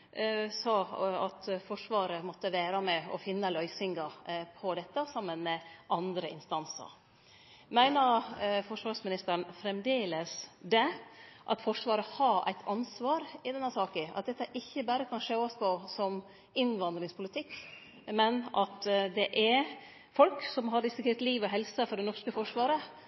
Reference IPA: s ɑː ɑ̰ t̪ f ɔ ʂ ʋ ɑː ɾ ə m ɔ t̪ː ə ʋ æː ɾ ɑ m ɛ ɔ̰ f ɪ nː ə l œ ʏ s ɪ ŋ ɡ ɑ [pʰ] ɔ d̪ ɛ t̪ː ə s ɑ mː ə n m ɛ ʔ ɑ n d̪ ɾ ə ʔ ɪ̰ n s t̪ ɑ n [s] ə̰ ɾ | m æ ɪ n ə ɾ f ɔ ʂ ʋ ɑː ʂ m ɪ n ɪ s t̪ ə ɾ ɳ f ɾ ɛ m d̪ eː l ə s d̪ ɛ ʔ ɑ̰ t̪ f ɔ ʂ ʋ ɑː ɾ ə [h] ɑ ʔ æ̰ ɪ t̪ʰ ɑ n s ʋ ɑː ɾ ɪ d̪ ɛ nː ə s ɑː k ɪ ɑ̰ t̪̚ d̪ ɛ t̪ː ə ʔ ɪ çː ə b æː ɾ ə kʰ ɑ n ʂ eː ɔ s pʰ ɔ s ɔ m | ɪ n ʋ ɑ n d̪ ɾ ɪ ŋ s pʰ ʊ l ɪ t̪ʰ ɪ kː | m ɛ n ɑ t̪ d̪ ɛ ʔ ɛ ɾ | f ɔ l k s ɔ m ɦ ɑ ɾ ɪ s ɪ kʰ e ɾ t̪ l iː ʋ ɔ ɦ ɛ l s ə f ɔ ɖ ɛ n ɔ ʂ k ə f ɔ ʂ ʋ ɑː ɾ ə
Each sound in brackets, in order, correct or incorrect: correct, correct, correct

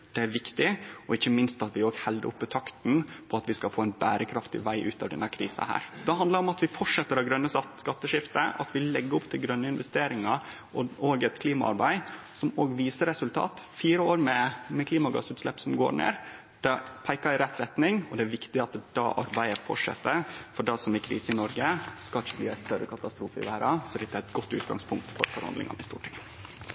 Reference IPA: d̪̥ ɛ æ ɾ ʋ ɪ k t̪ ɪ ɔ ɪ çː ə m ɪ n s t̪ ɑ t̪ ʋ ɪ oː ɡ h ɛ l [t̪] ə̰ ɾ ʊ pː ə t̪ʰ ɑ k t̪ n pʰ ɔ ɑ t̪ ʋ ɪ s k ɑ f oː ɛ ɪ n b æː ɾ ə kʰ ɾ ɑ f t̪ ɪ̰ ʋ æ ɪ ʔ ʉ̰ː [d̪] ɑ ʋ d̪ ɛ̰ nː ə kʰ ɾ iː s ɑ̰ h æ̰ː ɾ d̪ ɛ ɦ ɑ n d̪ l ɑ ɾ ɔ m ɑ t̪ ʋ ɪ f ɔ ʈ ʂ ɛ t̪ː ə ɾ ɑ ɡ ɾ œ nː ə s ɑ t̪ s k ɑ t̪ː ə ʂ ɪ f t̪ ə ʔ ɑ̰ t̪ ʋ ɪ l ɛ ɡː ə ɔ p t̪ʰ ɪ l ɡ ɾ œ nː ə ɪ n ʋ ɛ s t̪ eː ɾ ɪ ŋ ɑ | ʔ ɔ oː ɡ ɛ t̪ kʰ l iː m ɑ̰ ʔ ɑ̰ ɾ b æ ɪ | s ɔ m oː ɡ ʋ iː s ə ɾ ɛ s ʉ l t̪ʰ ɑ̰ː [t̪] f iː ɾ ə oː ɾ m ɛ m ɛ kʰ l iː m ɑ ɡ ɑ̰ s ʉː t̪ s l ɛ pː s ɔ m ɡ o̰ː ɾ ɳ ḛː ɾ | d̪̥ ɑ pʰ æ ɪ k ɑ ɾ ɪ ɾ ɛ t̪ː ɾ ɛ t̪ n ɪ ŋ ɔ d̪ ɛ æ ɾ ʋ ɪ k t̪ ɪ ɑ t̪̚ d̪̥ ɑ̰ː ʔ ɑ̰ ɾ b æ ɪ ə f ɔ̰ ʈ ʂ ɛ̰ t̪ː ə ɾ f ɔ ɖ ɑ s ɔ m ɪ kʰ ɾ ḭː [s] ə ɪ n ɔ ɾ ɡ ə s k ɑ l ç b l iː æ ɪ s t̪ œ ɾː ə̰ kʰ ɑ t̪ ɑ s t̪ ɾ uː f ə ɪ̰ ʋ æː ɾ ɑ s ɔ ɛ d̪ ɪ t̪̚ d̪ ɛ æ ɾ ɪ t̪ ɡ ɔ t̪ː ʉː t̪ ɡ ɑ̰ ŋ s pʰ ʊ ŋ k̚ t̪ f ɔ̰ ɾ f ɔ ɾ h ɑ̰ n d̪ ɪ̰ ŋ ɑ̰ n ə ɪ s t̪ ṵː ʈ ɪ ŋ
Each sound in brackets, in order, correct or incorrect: incorrect: d̪, incorrect: t̪, correct, correct

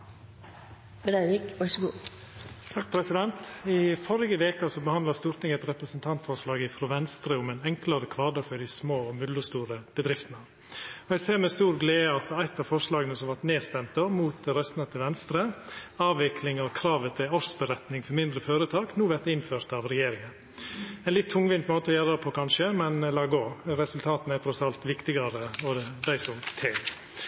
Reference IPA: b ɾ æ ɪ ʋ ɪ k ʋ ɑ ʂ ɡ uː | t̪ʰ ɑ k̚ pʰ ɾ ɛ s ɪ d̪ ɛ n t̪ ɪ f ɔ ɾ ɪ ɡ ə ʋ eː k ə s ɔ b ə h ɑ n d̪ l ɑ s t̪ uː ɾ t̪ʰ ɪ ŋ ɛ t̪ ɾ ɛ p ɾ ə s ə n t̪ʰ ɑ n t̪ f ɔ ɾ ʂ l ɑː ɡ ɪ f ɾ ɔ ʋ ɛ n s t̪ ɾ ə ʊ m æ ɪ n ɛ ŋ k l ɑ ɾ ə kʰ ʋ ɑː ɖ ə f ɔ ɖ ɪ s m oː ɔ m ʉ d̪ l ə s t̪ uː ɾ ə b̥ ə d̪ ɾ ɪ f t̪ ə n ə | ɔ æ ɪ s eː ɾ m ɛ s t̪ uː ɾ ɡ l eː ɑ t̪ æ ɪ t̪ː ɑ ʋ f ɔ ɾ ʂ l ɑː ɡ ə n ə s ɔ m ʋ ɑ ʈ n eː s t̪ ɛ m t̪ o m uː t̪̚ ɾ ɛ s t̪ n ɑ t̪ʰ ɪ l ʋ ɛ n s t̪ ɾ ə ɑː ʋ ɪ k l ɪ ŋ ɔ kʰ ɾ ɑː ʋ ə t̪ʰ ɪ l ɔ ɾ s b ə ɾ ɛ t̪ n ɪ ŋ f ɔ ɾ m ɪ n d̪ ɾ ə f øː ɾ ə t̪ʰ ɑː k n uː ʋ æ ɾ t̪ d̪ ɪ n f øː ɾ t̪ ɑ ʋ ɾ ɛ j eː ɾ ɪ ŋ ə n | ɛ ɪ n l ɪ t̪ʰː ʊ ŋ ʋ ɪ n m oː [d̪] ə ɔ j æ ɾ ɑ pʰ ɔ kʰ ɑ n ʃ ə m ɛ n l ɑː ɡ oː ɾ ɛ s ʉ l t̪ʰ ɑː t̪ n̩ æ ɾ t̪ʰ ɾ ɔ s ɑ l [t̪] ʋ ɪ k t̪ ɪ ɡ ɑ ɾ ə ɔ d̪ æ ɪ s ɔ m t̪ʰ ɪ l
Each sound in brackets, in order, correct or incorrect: incorrect: t̪, correct

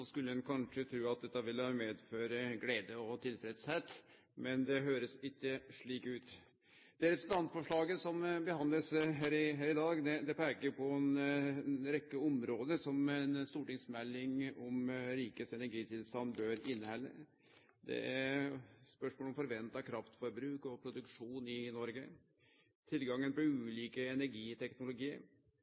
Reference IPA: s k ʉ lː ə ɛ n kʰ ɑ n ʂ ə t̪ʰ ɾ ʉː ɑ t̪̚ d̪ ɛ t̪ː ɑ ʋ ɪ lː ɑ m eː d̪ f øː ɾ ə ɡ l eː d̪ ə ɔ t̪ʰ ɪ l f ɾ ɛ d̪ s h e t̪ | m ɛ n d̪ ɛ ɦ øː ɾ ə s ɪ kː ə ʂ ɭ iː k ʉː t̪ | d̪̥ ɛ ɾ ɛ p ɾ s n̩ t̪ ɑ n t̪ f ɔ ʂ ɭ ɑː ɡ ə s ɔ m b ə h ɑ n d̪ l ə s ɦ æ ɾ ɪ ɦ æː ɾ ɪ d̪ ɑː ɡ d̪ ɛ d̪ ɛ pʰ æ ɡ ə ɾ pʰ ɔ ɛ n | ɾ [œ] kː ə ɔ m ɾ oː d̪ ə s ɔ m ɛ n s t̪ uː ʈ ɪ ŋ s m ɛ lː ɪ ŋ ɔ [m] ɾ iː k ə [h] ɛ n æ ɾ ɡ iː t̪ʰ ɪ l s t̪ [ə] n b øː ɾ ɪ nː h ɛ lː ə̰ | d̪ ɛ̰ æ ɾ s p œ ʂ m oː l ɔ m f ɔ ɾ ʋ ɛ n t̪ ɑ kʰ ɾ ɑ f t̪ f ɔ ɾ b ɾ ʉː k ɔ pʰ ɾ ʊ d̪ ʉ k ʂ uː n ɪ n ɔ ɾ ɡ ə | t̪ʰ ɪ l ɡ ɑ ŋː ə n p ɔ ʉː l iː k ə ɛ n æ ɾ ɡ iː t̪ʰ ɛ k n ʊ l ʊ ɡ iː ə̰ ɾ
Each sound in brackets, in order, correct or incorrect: incorrect: ɛ, correct, incorrect: s, incorrect: ɑ

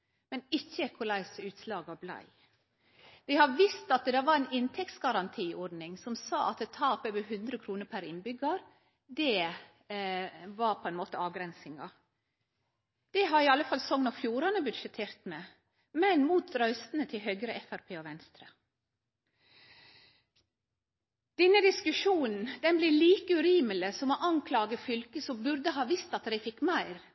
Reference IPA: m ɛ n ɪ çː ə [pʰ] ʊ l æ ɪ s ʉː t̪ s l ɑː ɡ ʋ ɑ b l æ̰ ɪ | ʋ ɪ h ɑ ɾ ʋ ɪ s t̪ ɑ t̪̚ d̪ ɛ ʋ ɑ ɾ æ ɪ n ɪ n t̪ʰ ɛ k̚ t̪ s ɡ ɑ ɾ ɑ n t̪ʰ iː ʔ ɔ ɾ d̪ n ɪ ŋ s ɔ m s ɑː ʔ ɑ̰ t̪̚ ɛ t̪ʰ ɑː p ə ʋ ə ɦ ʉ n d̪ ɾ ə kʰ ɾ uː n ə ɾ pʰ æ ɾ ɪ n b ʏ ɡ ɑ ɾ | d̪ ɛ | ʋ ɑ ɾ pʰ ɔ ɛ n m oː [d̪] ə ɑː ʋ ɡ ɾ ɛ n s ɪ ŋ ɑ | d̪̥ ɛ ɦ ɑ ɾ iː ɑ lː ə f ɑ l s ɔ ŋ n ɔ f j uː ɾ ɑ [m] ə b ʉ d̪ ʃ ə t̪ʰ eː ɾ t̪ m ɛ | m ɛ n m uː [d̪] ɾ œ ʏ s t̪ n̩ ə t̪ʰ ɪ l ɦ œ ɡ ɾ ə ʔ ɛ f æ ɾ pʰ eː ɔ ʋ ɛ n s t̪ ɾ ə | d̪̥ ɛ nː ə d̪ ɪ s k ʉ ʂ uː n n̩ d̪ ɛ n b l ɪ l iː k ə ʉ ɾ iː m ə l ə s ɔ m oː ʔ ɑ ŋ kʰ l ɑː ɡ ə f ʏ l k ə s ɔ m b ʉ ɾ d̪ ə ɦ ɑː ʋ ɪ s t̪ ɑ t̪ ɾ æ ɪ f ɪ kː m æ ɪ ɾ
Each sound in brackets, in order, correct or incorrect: incorrect: kʰ, incorrect: t̪, incorrect: n, incorrect: t̪

